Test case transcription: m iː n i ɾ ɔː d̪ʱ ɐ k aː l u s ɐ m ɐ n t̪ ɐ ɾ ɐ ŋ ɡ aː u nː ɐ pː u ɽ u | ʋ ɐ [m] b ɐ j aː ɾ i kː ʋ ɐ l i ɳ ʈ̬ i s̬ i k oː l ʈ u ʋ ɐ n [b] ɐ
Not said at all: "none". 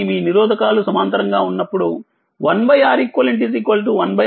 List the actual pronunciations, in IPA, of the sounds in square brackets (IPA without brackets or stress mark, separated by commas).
n, b